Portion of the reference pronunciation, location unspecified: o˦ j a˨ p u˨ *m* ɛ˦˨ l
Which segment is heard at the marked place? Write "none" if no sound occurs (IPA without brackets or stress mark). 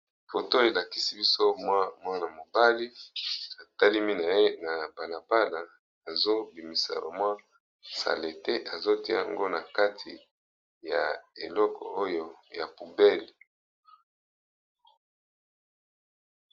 b